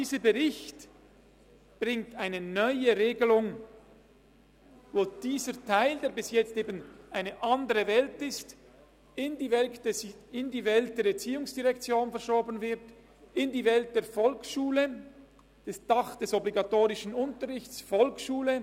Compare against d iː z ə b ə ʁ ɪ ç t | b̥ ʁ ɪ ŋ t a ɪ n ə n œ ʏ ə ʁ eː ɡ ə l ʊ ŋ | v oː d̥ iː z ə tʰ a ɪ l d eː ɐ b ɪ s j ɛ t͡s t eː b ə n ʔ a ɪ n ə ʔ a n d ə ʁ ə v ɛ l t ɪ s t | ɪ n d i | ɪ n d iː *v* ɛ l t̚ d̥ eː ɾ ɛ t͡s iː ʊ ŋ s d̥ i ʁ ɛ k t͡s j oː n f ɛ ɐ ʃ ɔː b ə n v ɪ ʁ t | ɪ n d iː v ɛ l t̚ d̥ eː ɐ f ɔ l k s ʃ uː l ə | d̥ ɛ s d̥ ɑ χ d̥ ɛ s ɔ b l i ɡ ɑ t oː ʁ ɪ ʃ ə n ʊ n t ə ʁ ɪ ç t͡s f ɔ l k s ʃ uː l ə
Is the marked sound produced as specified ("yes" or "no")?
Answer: yes